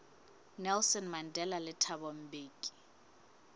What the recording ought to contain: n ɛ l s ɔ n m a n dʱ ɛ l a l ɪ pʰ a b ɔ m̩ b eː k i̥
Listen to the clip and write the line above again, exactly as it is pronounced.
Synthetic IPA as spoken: n ɛ l s ɔ n m a n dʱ ɛ l a l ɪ tʰ a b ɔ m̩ b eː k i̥